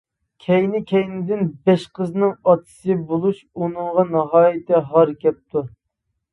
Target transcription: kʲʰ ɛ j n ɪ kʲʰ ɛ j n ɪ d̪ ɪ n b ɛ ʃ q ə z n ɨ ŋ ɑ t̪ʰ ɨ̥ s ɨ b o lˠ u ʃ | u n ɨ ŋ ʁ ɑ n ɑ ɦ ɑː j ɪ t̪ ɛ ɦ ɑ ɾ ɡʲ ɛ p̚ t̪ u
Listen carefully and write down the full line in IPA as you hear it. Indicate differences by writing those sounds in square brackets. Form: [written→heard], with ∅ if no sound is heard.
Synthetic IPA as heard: kʲʰ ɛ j n ɪ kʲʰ ɛ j n ɪ d̪ ɪ n b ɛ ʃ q ə z n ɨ ŋ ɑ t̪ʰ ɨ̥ s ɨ b o lˠ u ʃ | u n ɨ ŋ ʁ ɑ n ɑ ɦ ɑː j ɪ t̪ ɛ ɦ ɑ ɾ [ɡʲ→kʲ] ɛ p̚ t̪ u